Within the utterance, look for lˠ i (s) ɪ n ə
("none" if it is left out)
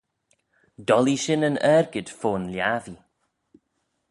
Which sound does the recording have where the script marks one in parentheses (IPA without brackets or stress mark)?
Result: ʃ